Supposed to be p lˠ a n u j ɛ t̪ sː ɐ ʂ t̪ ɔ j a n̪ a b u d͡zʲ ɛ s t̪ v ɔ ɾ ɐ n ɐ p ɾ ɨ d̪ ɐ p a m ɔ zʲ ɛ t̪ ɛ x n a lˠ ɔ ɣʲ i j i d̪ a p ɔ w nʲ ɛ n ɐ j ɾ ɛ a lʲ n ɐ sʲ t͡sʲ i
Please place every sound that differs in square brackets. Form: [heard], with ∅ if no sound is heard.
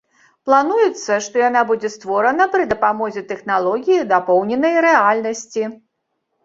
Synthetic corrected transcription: p lˠ a n u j ɛ t̪ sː ɐ ʂ t̪ ɔ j a n̪ a b u d͡zʲ ɛ s t̪ v ɔ ɾ ɐ n ɐ p ɾ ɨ d̪ ɐ p a m ɔ zʲ ɛ t̪ ɛ x n a lˠ ɔ ɣʲ i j i d̪ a p ɔ w nʲ ɛ n ɐ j ɾ ɛ a lʲ n ɐ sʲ t͡sʲ i